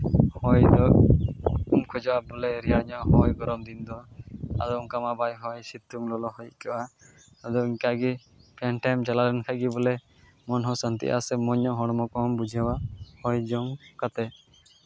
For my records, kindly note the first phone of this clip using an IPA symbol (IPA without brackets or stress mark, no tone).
h